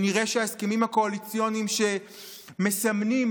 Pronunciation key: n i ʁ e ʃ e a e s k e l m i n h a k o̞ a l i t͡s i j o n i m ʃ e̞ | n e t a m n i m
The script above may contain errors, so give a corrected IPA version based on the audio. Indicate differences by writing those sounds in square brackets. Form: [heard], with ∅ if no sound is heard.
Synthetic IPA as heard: n i ʁ e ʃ e a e s k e [∅] m i [m] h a k o̞ a l i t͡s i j o n i m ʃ e̞ | [m] e [s] a m n i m